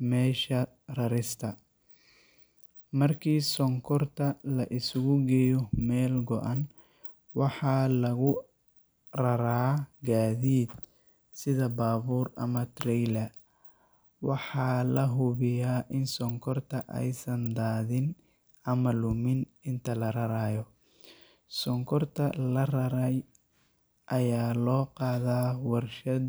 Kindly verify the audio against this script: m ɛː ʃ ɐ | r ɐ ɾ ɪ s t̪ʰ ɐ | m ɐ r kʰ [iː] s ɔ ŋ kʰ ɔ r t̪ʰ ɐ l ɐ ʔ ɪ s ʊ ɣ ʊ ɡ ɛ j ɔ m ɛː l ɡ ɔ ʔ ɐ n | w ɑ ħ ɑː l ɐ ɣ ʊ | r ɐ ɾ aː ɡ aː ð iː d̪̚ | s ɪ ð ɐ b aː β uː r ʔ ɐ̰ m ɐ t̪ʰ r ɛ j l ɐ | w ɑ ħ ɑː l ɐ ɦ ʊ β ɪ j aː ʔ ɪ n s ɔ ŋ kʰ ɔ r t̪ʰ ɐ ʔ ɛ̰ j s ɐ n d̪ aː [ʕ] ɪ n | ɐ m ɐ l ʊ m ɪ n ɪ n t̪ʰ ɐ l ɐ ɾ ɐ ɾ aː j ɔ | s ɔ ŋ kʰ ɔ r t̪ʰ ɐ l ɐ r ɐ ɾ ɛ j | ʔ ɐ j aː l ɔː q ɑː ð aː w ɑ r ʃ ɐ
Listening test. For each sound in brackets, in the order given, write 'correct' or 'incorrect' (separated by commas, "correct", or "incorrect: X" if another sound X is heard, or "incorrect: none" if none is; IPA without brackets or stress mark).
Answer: correct, incorrect: ð